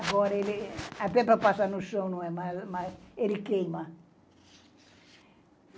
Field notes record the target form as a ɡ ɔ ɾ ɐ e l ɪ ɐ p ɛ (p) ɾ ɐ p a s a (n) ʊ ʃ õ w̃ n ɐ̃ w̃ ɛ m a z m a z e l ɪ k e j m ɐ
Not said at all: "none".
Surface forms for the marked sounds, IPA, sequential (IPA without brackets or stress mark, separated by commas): p, n